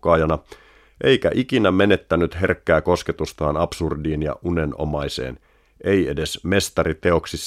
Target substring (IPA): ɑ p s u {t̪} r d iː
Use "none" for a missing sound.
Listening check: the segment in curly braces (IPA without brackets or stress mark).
none